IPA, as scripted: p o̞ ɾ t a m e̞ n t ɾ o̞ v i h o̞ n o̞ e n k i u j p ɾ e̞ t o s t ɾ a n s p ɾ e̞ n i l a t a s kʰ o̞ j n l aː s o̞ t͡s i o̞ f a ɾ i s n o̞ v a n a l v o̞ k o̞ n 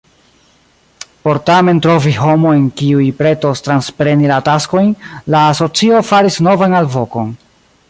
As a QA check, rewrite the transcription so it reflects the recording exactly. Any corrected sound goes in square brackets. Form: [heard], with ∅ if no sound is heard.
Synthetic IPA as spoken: p o̞ ɾ t a m e̞ n t ɾ o̞ v i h o̞ [m] o̞ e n k i u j p ɾ e̞ t o s t ɾ a n s p ɾ e̞ n i l a t a s [k] o̞ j n l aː s o̞ t͡s i o̞ f a ɾ i s n o̞ v a n a l v o̞ k o̞ n

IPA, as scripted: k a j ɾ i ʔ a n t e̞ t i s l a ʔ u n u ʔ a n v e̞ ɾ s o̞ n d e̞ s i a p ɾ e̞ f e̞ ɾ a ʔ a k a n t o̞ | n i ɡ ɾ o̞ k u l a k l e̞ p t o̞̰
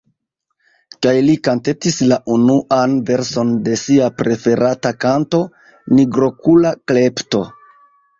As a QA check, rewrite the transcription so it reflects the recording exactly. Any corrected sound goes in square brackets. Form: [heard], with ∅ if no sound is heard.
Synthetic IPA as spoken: k a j [l] i [k] a n t e̞ t i s l a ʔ u n u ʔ a n v e̞ ɾ s o̞ n d e̞ s i a p ɾ e̞ f e̞ ɾ a [t] a k a n t o̞ | n i ɡ ɾ o̞ k u l a k l e̞ p t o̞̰

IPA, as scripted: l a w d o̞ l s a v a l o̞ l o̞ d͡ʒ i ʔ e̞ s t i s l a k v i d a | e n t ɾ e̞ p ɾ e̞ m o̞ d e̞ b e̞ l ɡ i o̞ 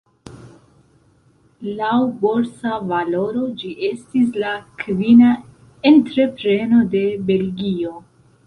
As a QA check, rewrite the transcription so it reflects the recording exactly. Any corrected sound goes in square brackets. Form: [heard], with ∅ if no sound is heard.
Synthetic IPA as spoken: l a w [b] o̞ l s a v a l o̞ [ɾ] o̞ d͡ʒ i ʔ e̞ s t i s l a k v i [n] a | e n t ɾ e̞ p ɾ e̞ [n] o̞ d e̞ b e̞ l ɡ i o̞

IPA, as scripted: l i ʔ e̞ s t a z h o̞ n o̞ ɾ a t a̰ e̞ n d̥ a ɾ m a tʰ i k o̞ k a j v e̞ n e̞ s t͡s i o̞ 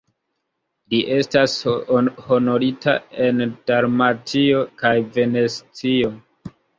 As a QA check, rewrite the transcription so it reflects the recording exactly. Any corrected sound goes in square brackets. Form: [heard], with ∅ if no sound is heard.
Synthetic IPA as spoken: l i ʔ e̞ s t a [s] h o̞ n o̞ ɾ [i] t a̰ e̞ n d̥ a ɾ m a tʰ i [∅] o̞ k a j v e̞ n e̞ s t͡s i o̞

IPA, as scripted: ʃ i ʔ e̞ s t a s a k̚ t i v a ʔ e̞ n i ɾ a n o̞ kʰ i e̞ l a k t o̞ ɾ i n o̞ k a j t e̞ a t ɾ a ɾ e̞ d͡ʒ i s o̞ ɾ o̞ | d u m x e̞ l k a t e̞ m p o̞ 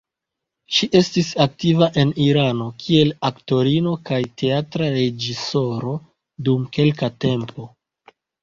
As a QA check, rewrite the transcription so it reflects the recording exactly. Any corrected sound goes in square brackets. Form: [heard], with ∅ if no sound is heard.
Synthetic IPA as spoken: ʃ i ʔ e̞ s t [i] s a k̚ t i v a ʔ e̞ n i ɾ a n o̞ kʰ i e̞ l a k t o̞ ɾ i n o̞ k a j t e̞ a t ɾ a ɾ e̞ d͡ʒ i s o̞ ɾ o̞ | d u m [k] e̞ l k a t e̞ m p o̞

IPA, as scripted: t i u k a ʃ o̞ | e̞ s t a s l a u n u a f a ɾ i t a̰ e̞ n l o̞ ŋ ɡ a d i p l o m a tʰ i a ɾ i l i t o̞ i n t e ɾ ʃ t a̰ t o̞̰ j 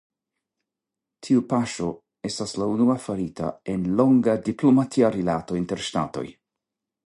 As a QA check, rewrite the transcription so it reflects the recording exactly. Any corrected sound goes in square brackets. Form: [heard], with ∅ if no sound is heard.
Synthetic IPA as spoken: [tʰ] i u [p] a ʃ o̞ | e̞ s t a s l a u n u a f a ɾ i t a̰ e̞ n l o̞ ŋ ɡ a d i p l o m a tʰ i a ɾ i l [a] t o̞ i n t e ɾ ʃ t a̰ t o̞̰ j

